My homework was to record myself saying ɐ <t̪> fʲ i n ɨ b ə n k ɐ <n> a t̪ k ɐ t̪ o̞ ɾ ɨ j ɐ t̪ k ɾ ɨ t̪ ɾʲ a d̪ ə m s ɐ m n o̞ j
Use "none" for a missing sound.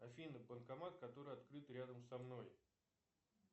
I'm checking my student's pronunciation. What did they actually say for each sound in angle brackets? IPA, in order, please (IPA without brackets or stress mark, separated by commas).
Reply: none, m